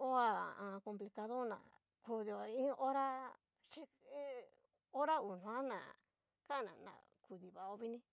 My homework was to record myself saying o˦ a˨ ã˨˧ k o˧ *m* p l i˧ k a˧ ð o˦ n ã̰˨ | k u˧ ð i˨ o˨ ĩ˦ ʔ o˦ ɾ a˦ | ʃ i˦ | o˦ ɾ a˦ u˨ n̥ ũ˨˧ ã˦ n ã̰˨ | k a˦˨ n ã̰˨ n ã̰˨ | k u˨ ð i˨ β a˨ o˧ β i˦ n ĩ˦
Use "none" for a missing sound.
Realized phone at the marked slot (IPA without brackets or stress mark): m